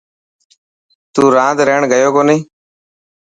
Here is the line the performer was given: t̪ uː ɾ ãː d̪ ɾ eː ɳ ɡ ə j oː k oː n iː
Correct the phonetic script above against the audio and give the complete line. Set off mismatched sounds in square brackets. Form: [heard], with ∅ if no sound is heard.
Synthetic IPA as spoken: t̪ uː ɾ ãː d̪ ɾ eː ɳ ɡ ə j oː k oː n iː